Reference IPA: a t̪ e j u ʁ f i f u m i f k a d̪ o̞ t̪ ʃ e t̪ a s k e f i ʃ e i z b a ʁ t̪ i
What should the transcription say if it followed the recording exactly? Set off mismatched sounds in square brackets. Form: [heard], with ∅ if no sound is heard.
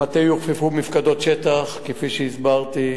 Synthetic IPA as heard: a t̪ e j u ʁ f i f u m i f k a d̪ o̞ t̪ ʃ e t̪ a [χ] k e f i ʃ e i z b a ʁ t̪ i